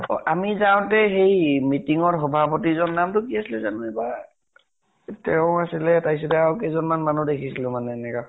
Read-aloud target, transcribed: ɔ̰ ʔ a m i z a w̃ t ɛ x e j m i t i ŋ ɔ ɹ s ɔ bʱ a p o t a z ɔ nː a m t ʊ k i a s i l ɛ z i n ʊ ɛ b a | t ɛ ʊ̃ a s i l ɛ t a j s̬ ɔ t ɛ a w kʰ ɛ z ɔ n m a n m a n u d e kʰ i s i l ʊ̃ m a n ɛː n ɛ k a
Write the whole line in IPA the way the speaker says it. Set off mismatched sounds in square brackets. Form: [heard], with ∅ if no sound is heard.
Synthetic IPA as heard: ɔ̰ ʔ a m i z a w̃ t ɛ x e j m i t i ŋ ɔ ɹ [x] ɔ bʱ a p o t [i] z ɔ nː a m t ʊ k i a s i l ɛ z [a] n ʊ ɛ b a | t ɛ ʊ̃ a s i l ɛ t a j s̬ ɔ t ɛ a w [k] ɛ z ɔ n m a n m a n u d e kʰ i s i l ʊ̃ m a n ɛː n ɛ k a